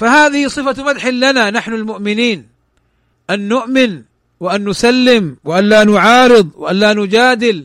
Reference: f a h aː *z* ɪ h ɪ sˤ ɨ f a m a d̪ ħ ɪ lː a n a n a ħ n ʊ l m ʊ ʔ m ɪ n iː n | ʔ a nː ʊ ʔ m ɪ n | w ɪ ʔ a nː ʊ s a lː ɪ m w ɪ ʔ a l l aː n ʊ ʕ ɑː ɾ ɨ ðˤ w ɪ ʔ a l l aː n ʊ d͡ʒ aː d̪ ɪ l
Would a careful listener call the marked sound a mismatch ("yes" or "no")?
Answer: yes